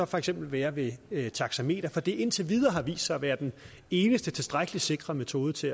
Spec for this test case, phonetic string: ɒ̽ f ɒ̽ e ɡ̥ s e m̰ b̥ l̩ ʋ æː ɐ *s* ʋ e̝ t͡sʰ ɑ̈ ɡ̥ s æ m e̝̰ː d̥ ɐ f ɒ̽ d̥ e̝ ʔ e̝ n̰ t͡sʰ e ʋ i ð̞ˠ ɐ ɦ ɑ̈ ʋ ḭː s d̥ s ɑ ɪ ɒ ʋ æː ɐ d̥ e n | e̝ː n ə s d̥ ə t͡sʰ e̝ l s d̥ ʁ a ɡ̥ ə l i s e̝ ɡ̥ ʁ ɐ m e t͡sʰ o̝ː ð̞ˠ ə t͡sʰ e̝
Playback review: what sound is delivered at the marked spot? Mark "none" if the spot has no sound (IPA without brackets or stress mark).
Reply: none